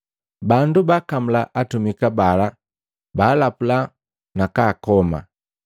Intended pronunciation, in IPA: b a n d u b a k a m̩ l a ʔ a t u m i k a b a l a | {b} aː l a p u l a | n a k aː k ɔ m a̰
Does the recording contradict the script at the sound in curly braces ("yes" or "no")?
no